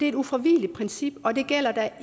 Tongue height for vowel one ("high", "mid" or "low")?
mid